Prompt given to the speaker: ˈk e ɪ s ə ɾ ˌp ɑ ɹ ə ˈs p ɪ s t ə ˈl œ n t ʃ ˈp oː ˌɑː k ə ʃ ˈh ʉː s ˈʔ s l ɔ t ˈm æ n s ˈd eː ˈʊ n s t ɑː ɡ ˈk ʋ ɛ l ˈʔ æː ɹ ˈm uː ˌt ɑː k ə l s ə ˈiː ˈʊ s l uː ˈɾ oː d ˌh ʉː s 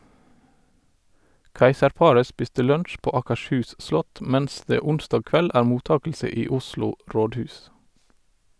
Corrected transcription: ˈk æ ɪ s ə ɾ ˌp ɑ ɹ ə ˈs p ɪ s t ə ˈl œ n t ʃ ˈp oː ˌɑː k ə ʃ ˈh ʉː s ˈʔ s l ɔ t ˈm æ n s ˈd eː ˈʊ n s t ɑː ɡ ˈk ʋ ɛ l ˈʔ æː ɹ ˈm uː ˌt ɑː k ə l s ə ˈiː ˈʊ s l uː ˈɾ oː d ˌh ʉː s